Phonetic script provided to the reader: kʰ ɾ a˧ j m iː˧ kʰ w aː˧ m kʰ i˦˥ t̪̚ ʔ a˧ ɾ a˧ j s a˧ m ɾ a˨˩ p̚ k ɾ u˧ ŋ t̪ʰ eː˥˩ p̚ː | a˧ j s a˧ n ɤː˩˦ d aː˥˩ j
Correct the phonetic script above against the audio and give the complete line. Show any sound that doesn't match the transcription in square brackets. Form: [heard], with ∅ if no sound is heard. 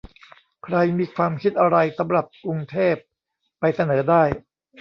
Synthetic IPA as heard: kʰ ɾ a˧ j m iː˧ kʰ w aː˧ m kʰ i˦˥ t̪̚ ʔ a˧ ɾ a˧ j s [a˩˦] m ɾ a˨˩ p̚ k ɾ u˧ ŋ t̪ʰ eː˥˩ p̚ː | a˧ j s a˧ n ɤː˩˦ d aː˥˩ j